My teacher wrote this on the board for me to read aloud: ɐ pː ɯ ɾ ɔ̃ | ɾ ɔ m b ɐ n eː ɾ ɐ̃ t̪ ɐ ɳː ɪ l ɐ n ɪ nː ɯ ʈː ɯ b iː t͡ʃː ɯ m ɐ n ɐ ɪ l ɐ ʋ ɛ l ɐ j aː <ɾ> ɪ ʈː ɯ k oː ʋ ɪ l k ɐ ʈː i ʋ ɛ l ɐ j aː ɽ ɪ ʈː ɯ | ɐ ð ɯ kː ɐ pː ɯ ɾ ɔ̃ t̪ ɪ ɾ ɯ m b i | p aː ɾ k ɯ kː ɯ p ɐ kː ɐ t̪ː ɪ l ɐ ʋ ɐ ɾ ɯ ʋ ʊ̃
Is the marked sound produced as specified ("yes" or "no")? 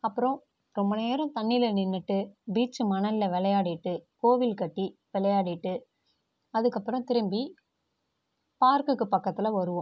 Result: no